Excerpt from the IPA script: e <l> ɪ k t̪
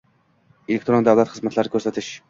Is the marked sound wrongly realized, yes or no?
no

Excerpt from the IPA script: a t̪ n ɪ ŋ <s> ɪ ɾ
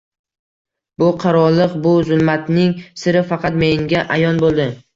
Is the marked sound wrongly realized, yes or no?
no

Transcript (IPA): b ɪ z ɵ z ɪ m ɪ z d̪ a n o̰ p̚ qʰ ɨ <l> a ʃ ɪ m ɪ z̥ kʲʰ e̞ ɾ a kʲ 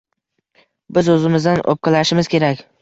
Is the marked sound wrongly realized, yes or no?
no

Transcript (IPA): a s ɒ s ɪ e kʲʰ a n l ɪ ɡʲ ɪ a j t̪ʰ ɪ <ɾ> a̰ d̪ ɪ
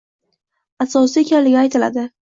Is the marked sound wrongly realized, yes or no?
yes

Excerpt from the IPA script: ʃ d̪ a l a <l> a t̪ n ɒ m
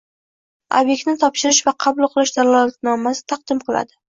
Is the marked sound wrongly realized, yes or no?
no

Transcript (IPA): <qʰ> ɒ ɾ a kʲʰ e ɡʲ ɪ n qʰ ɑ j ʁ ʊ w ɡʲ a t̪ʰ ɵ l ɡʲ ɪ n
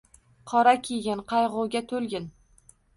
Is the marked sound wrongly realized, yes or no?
no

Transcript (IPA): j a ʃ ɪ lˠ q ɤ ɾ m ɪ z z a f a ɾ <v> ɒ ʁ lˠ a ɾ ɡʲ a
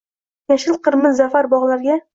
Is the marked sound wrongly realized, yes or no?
yes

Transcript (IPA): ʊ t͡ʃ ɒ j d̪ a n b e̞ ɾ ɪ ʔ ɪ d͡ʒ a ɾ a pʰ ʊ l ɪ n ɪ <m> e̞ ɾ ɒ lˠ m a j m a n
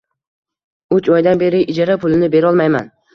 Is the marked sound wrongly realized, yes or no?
yes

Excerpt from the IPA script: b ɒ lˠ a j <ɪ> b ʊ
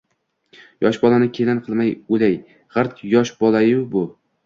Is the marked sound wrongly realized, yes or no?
no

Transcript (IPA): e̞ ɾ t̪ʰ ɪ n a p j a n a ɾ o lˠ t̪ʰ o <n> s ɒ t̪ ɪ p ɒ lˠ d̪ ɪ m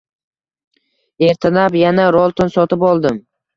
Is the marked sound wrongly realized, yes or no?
no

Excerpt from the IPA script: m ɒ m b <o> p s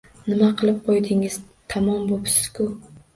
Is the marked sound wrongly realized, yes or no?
no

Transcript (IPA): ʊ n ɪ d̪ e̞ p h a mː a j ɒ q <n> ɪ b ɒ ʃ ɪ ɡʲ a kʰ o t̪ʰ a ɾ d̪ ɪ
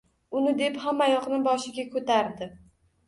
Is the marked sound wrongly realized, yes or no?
no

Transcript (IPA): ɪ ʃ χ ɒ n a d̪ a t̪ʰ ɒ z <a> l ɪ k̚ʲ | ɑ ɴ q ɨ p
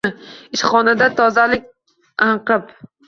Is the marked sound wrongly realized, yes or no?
no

